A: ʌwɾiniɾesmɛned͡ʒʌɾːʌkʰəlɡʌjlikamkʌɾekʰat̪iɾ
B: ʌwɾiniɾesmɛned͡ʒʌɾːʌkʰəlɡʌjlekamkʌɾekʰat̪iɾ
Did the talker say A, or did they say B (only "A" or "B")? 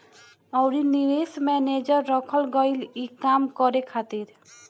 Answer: A